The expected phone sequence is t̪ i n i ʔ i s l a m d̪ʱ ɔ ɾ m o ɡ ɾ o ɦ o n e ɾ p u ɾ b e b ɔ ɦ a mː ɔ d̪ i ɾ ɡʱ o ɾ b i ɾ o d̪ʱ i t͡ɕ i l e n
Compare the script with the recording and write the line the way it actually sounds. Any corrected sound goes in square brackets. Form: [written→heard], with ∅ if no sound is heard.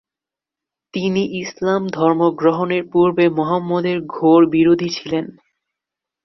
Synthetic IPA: t̪ i n i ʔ i s l a m d̪ʱ ɔ ɾ m o ɡ ɾ o ɦ o n e ɾ p u ɾ b e [b→m] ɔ ɦ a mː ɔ d̪ [i→e] ɾ ɡʱ o ɾ b i ɾ o d̪ʱ i [t͡ɕ→t͡ɕʰ] i l e n